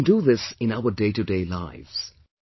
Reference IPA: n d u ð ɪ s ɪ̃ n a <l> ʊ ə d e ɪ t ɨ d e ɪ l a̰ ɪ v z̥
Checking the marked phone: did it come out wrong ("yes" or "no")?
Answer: yes